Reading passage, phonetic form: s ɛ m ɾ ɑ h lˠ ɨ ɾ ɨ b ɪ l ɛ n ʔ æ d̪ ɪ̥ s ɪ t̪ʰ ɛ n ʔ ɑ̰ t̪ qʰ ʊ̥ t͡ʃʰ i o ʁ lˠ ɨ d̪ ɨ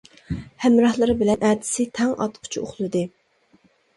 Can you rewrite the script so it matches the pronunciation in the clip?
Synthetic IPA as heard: h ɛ m ɾ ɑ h lˠ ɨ ɾ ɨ b ɪ l ɛ n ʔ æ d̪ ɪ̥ s ɪ t̪ʰ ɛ ŋ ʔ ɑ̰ t̪ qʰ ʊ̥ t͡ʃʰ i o χ lˠ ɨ d̪ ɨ